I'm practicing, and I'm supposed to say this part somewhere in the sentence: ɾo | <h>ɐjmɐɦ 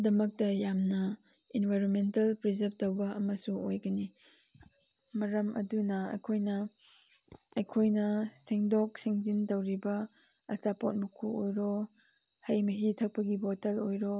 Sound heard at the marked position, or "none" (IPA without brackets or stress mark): h